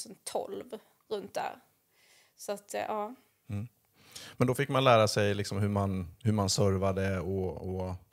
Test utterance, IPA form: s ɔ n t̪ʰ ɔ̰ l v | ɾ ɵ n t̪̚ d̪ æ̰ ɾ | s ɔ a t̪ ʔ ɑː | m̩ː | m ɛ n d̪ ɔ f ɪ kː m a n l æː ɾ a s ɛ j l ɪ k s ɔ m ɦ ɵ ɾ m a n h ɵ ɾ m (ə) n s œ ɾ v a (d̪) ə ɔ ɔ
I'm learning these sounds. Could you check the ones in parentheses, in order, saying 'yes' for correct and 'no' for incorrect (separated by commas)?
no, yes